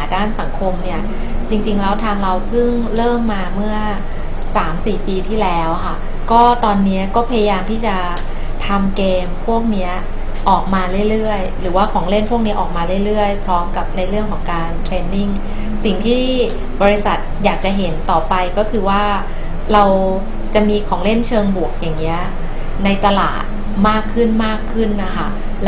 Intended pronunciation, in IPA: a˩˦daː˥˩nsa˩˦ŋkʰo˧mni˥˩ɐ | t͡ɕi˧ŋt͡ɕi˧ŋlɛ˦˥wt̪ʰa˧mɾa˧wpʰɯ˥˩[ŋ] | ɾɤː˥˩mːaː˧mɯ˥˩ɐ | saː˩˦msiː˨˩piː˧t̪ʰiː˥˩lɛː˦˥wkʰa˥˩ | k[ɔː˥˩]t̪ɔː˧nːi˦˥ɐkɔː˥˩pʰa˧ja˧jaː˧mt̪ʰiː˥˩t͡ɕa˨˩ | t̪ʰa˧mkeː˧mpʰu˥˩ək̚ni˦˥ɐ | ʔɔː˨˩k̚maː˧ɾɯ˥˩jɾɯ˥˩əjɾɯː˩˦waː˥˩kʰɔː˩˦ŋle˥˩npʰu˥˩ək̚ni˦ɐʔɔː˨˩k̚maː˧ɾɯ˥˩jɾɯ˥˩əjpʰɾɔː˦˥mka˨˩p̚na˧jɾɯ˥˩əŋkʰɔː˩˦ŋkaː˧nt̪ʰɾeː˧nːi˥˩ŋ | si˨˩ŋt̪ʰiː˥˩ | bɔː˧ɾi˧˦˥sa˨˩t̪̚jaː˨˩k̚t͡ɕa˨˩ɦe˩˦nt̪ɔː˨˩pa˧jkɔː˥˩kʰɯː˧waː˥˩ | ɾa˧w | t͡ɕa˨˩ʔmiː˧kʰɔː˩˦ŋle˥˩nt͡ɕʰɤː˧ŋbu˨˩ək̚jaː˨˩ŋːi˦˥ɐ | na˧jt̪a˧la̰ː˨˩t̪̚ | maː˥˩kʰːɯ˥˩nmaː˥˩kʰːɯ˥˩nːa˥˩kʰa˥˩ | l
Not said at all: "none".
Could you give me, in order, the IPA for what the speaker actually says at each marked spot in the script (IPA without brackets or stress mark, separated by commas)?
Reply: ŋ, ɔː˥˩